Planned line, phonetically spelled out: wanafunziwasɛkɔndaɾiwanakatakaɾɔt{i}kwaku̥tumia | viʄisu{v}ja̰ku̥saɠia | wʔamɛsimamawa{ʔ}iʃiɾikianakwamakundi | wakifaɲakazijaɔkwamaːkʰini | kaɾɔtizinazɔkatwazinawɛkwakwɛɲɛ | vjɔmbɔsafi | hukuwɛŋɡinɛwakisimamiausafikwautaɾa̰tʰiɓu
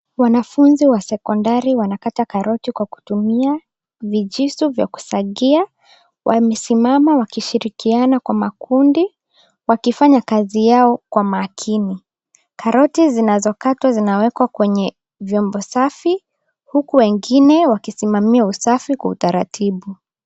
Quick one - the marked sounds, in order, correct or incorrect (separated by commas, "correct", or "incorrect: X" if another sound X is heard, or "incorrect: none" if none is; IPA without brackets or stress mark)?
correct, correct, incorrect: k